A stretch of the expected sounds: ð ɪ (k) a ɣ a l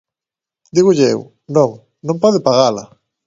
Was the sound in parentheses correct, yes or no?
no